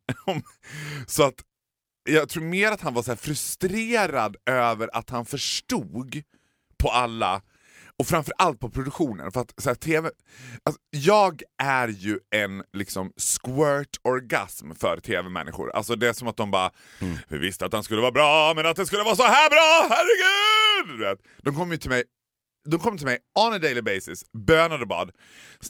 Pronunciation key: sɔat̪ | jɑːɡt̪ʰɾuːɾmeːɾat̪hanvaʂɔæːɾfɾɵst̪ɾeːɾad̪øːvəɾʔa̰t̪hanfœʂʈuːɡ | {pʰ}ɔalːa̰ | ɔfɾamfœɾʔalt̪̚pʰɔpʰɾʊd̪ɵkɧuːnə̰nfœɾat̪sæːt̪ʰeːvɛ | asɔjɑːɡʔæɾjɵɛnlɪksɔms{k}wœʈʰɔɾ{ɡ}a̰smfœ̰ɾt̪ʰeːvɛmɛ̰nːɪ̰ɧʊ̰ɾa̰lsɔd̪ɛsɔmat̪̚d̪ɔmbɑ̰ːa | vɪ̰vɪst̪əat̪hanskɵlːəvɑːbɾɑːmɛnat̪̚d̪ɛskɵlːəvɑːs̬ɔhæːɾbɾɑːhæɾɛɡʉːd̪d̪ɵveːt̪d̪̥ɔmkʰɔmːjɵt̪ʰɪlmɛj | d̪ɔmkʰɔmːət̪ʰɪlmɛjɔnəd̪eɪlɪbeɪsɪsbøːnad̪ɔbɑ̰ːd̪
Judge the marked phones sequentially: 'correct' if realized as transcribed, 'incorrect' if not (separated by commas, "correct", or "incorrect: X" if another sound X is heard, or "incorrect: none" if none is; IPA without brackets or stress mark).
correct, correct, correct